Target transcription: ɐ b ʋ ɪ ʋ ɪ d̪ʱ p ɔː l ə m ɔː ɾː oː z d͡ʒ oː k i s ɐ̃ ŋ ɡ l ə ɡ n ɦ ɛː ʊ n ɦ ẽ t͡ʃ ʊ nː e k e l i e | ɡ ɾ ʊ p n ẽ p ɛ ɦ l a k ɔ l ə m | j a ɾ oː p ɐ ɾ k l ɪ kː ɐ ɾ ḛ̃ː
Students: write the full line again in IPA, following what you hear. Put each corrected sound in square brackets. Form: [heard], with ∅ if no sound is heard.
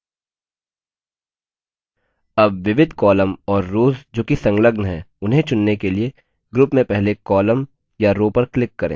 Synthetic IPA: ɐ b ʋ ɪ ʋ ɪ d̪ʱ [k] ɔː l ə m ɔː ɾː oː z d͡ʒ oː k i s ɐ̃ ŋ ɡ l ə ɡ n ɦ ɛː ʊ n ɦ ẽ t͡ʃ ʊ nː e k e l i e | ɡ ɾ ʊ p [m] ẽ p ɛ ɦ l [e] k [ɔː] l ə m | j a ɾ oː p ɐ ɾ k l ɪ kː ɐ ɾ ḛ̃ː